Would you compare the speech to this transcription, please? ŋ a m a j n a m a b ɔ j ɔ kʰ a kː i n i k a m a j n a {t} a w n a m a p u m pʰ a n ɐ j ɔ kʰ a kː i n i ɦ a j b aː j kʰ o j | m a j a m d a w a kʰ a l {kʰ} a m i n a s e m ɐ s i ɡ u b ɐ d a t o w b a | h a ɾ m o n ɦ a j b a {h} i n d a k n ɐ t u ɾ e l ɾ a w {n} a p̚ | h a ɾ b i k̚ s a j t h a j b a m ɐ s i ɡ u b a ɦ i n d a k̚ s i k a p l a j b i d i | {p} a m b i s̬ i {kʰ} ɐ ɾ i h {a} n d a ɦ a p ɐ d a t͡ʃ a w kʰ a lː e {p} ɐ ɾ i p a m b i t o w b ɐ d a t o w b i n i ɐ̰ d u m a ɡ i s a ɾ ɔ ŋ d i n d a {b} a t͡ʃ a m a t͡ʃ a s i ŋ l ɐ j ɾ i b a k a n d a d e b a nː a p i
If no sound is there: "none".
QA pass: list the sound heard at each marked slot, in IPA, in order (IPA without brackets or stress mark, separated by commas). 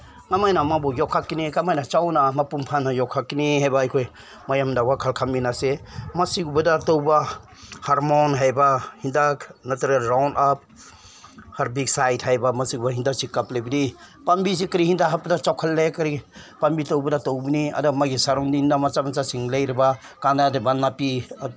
t͡ʃ, kʰ, h, n, p, k, i, k, m